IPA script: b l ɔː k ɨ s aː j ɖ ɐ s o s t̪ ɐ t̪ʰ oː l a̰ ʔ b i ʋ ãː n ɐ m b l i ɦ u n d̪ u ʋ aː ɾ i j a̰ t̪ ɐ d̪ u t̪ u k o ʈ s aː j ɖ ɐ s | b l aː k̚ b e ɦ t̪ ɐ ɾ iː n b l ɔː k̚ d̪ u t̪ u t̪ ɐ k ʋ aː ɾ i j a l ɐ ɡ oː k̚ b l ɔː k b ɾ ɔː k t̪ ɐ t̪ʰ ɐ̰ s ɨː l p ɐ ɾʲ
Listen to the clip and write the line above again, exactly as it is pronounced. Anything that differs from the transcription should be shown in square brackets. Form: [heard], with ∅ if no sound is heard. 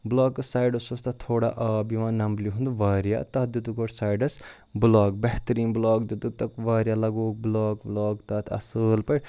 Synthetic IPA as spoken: b l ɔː k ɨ s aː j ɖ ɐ s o s t̪ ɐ t̪ʰ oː [ɽ] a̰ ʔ b i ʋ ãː n ɐ m b l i ɦ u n d̪ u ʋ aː ɾ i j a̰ t̪ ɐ d̪ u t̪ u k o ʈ s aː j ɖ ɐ s | b l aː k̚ b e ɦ t̪ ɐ ɾ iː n b l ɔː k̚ d̪ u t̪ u t̪ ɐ k ʋ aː ɾ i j a l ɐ ɡ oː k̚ b l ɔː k b [l] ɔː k t̪ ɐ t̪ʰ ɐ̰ s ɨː l p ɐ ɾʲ

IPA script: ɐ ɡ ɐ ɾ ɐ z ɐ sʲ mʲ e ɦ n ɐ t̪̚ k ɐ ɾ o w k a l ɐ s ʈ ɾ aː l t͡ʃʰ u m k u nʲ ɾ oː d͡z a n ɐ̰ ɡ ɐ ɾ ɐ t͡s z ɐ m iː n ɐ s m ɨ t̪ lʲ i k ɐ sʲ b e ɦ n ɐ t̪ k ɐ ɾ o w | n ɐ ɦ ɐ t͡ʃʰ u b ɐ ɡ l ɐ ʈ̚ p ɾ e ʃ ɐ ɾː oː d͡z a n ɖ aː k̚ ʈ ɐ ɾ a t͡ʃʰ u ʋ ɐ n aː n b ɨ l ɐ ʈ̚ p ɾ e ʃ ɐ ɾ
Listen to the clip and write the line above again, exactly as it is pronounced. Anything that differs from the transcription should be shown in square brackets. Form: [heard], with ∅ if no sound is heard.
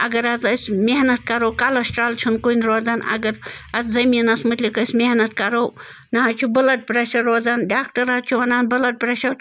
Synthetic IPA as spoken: ɐ ɡ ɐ ɾ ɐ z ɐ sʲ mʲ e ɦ n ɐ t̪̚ k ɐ ɾ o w k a l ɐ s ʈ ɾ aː l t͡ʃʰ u [n] k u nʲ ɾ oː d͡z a n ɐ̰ ɡ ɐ ɾ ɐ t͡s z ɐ m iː n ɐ s m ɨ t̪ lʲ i k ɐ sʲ [m] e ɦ n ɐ t̪ k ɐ ɾ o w | n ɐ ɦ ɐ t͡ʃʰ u b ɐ [∅] l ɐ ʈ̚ p ɾ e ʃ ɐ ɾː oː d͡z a n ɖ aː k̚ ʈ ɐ ɾ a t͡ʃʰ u ʋ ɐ n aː n b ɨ l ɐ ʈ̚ p ɾ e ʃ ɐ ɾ

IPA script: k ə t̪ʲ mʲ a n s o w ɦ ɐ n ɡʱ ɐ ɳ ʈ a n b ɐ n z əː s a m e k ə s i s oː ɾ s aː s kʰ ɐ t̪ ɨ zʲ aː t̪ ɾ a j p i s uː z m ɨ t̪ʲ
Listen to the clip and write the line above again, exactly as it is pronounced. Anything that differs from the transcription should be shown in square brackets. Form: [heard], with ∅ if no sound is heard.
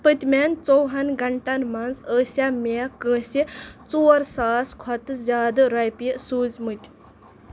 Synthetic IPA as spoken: [p] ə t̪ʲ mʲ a n [t͡s] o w ɦ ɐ n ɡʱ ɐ ɳ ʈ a n [m] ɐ n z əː s a m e k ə s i [t͡s] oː ɾ s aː s kʰ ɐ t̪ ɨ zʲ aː [d̪] ɾ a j p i s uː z m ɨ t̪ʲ

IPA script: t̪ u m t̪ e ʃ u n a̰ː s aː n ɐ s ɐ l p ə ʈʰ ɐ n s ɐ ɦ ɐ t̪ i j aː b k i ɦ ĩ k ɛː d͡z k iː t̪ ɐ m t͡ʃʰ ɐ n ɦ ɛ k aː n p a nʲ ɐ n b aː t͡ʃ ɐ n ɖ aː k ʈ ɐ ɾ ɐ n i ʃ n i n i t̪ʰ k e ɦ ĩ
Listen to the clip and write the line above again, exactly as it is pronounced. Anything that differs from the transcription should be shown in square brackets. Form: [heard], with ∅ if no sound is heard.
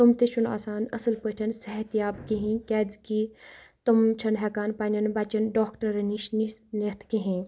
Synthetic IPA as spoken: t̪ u m t̪ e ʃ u n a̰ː s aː n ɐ s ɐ l p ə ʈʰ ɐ n s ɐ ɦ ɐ t̪ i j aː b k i ɦ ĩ k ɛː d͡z k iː t̪ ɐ m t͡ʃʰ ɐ n ɦ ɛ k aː n p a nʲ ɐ n b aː t͡ʃ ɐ n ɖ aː k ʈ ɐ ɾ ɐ n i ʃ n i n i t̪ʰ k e ɦ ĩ

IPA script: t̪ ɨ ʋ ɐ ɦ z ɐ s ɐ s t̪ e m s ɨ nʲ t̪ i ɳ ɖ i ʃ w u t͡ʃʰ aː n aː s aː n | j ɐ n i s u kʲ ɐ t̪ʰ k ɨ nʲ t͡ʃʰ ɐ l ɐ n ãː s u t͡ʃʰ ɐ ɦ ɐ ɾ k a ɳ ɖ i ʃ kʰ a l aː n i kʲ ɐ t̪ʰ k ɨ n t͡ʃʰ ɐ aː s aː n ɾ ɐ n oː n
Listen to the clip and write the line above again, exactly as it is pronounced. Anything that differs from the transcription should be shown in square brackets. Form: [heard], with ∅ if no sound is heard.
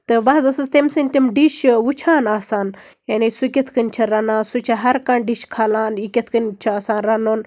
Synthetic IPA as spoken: t̪ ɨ ʋ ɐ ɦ z ɐ s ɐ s t̪ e m s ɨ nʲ t̪ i [m] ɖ i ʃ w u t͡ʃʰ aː n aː s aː n | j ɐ n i s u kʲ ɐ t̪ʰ k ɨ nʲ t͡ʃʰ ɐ [ɾ] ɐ n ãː s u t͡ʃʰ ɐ ɦ ɐ ɾ k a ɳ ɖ i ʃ kʰ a l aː n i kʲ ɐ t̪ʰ k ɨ n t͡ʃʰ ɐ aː s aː n ɾ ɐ n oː n

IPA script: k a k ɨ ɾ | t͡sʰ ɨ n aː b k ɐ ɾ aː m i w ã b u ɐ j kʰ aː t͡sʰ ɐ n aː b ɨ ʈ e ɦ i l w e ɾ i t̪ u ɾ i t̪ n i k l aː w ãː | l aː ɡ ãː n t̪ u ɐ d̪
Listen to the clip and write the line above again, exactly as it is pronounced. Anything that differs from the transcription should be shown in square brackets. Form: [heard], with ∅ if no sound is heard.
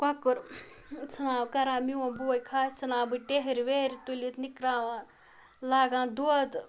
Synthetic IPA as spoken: k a k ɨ ɾ | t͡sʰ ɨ n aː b k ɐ ɾ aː m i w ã b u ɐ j kʰ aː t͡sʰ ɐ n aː b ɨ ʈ e ɦ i [ɾ] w e ɾ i t̪ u [l] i t̪ n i k [ɾ] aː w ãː | l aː ɡ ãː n [d̪] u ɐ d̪

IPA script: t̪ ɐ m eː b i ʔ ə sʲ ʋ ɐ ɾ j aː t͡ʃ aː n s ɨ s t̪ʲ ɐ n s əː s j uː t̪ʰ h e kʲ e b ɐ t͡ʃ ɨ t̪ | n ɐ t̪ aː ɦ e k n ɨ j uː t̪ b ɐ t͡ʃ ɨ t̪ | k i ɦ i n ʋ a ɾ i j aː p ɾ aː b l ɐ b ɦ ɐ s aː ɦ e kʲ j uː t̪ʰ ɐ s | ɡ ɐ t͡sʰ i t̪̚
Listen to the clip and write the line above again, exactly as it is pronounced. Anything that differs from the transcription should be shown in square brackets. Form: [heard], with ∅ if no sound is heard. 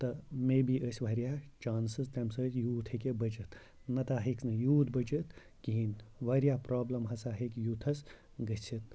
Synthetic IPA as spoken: t̪ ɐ m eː b i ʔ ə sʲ ʋ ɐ ɾ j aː t͡ʃ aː n s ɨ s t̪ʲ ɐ [m] s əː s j uː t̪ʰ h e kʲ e b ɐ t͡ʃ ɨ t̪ | n ɐ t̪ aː ɦ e k n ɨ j uː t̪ b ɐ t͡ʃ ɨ t̪ | k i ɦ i n ʋ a ɾ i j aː p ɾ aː b l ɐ [m] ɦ ɐ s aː ɦ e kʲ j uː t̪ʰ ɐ s | ɡ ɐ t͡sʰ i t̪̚

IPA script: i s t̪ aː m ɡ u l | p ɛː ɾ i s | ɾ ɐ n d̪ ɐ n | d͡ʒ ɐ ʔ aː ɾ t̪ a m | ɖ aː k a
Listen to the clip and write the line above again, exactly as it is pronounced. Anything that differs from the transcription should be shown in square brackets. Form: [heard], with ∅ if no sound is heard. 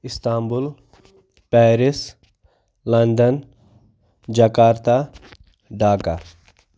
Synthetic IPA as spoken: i s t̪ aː m [b] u l | p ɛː ɾ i s | [l] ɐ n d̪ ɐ n | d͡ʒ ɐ [k] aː ɾ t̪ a [∅] | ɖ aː k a

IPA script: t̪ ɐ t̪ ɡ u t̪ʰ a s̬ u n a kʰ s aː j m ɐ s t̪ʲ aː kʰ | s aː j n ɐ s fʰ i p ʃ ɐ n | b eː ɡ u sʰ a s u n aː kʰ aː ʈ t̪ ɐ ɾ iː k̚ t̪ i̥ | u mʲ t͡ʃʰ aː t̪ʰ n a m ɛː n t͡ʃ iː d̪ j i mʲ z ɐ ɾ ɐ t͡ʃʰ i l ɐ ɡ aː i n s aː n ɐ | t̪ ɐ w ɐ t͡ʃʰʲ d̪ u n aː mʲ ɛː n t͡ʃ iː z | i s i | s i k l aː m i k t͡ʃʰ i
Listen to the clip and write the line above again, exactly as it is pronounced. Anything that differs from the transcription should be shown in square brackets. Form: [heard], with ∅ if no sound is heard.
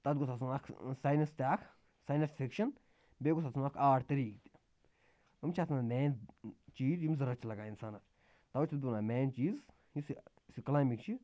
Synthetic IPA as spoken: t̪ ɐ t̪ ɡ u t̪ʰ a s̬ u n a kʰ s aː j [n] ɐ s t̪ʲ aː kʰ | s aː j n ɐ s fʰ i [k] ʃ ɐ n | b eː ɡ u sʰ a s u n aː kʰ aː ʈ t̪ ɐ ɾ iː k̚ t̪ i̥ | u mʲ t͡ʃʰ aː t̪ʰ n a m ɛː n t͡ʃ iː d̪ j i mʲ z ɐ ɾ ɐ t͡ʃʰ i l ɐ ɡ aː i n s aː n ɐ | t̪ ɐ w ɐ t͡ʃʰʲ d̪ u n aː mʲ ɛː n t͡ʃ iː z | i s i | s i k l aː m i k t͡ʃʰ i

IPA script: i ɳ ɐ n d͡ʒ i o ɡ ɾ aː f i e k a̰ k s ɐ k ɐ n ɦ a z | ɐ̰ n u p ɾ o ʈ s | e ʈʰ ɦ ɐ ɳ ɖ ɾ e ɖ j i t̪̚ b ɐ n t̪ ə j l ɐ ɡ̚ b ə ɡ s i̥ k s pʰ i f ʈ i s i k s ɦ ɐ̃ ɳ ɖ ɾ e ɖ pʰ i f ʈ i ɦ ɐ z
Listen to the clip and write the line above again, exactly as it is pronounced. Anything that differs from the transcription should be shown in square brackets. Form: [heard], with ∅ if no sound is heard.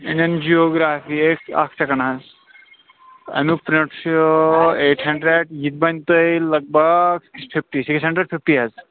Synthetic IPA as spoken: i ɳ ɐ n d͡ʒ i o ɡ ɾ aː f i e k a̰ k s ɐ k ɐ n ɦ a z | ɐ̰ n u p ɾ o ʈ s | e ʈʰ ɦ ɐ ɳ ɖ ɾ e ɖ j i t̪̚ b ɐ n t̪ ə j l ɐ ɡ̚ b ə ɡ s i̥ k s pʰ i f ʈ i s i k s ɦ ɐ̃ ɳ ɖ ɾ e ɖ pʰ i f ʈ i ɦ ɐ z

